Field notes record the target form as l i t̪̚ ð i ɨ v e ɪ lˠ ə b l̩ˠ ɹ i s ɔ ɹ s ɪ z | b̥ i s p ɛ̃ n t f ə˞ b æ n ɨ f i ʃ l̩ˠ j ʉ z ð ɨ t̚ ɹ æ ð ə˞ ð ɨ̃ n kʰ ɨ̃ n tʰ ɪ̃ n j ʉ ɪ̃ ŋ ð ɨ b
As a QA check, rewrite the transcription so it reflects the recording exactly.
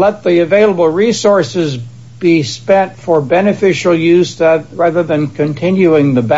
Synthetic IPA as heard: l ɛ t̪̚ ð i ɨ v e ɪ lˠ ə b l̩ˠ ɹ i s ɔ ɹ s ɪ z | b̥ i s p ɛ̃ n t f ə˞ b ɛ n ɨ f ɪ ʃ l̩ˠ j ʉ z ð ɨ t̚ ɹ æ ð ə˞ ð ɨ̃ n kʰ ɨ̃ n tʰ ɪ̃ n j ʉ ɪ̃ ŋ ð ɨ b